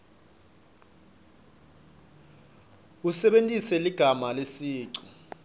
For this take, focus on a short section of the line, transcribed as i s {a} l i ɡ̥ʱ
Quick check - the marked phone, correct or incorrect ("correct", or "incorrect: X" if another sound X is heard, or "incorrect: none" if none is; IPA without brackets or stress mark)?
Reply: incorrect: ɛ